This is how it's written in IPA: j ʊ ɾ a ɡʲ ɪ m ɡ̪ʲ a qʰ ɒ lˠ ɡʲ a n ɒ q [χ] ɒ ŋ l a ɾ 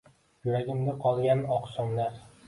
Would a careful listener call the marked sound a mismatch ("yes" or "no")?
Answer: yes